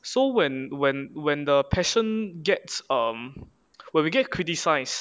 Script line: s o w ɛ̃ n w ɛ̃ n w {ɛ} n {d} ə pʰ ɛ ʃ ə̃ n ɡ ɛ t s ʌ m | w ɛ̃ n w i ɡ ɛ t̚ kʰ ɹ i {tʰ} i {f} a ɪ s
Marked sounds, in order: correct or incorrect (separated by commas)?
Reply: incorrect, correct, incorrect, incorrect